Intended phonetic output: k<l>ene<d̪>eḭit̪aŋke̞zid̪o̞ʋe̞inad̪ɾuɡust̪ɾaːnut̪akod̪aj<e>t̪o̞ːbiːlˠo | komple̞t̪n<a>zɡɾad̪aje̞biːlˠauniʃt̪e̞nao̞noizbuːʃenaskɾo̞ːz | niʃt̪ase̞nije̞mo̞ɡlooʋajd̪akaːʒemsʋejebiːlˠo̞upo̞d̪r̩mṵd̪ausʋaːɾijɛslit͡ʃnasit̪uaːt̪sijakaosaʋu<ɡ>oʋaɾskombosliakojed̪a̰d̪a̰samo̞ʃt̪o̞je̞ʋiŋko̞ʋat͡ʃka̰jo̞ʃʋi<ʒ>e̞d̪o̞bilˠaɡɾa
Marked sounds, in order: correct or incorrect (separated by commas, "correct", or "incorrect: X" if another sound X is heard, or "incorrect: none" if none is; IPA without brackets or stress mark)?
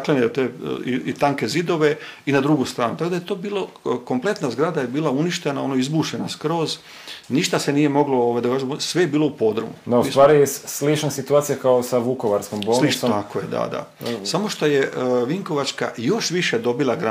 correct, incorrect: t̪, correct, correct, incorrect: k, incorrect: ʃ